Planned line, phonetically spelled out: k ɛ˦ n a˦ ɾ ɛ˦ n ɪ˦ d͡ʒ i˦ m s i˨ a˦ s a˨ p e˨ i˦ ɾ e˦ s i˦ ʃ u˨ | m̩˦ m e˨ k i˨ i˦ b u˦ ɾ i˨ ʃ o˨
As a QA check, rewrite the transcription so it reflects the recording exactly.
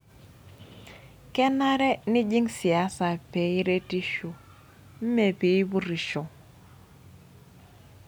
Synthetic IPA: k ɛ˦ n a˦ ɾ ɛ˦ n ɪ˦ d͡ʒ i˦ ŋ s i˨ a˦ s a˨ p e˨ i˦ ɾ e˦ t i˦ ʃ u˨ | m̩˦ m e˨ p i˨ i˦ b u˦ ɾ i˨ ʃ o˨